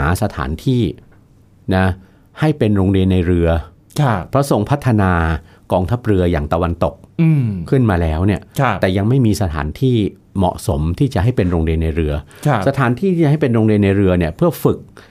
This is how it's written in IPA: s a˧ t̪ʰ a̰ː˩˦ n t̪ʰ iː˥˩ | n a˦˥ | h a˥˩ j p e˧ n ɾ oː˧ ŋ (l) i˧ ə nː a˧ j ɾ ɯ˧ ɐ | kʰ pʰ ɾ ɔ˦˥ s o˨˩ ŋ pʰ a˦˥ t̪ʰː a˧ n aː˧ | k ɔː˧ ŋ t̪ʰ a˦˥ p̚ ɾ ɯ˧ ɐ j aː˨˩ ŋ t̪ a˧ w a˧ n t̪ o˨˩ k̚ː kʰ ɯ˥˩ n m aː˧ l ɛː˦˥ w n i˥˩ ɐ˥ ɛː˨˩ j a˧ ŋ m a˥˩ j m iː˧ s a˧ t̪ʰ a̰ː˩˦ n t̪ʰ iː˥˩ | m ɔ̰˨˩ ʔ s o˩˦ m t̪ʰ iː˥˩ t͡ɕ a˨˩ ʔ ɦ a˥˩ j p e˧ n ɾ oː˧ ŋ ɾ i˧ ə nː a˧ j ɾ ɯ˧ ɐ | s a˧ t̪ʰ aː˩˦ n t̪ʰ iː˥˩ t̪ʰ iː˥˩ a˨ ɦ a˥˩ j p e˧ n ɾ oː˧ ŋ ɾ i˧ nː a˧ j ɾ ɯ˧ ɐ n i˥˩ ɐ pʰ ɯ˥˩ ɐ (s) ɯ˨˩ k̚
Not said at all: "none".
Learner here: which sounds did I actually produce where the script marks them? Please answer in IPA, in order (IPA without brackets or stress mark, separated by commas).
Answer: ɾ, f